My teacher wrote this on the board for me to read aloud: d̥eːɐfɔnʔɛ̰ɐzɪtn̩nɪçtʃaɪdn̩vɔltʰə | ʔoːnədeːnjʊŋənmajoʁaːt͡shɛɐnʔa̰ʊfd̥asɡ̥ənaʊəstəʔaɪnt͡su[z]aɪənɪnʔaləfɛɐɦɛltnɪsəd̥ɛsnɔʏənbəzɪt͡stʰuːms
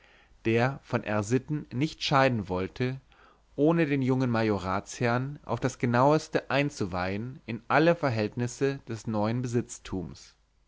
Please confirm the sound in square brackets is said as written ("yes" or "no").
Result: no